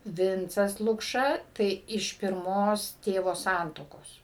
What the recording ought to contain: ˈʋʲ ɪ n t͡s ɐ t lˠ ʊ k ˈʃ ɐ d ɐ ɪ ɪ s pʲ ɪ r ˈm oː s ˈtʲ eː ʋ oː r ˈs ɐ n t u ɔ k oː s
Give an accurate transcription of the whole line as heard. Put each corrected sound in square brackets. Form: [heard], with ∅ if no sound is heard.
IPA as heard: ˈʋʲ ɪ n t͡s ɐ [s] lˠ ʊ k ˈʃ ɐ [t] ɐ ɪ ɪ [ʃ] pʲ ɪ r ˈm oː s ˈtʲ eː ʋ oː [∅] ˈs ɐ n t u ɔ k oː s